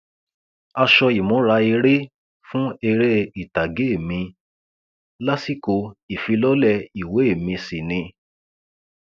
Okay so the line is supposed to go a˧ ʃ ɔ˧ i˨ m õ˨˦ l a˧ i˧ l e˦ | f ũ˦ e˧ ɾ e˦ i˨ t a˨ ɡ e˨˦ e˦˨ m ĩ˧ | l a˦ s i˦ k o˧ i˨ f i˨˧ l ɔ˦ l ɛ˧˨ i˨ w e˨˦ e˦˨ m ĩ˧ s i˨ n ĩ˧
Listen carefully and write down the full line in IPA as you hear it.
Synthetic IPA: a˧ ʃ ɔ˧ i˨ m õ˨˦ ɾ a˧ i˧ ɾ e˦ | f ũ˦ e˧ ɾ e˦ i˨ t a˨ ɡ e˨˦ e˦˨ m ĩ˧ | l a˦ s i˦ k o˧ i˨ f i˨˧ l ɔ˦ l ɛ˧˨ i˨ w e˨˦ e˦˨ m ĩ˧ s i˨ n ĩ˧